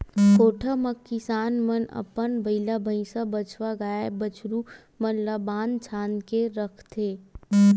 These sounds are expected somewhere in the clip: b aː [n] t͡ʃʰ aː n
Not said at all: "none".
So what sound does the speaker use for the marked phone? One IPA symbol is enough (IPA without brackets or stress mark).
n